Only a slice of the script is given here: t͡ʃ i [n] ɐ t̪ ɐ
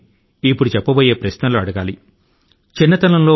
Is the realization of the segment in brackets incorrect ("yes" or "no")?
yes